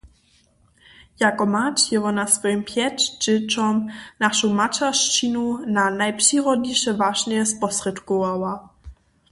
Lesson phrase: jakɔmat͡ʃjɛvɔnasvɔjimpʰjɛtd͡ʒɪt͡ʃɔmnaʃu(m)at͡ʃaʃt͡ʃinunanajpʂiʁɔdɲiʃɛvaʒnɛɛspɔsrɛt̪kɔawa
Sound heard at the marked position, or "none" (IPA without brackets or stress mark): m